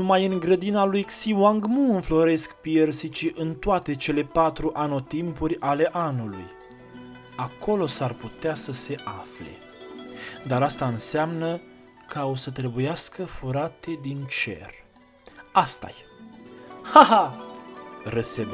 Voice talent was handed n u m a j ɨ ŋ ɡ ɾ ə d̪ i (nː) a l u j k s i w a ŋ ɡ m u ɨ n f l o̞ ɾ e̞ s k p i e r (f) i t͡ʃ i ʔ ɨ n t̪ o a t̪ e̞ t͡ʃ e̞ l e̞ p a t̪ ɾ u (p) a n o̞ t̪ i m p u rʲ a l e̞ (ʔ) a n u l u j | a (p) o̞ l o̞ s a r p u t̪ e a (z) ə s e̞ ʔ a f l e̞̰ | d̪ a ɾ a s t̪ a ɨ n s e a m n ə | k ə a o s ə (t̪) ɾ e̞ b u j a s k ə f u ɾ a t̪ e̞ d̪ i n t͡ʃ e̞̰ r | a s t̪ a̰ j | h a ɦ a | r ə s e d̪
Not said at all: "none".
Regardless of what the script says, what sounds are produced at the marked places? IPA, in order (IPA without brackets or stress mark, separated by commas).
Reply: n, s, ʔ, ʔ, k, s, t̪